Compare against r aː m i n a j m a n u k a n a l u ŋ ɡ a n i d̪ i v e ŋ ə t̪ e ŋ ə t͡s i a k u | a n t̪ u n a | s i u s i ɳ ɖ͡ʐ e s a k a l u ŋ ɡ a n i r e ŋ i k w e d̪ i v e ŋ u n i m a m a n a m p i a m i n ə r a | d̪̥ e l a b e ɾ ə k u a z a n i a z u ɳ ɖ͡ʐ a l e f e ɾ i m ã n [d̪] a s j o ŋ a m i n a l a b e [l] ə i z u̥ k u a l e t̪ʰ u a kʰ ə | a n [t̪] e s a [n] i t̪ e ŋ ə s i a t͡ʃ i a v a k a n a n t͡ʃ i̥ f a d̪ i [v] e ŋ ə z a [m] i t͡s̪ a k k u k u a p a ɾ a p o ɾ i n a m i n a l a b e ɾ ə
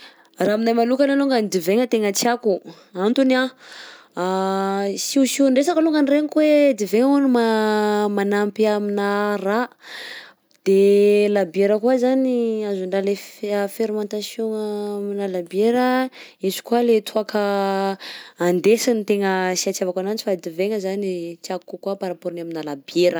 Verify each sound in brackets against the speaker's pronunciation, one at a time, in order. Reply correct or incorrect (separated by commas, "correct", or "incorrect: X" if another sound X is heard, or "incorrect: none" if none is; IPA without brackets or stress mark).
incorrect: t̪, incorrect: ɾ, incorrect: d̪, correct, correct, incorrect: n